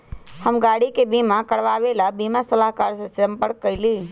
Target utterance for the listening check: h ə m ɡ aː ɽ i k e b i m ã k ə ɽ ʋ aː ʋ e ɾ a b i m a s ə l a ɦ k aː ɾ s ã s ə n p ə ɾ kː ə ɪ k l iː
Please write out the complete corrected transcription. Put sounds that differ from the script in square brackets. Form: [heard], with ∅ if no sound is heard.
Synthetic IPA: h ə m ɡ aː ɽ i k e b i m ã k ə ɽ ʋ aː ʋ e [l] a b i m a s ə l a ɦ k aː ɾ s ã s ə [m] p ə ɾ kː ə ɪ [∅] l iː